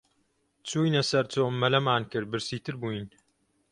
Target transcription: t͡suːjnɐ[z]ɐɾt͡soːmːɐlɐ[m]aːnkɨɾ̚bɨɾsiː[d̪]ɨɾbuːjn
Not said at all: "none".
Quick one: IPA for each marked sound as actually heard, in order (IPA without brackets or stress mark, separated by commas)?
s, m, t̪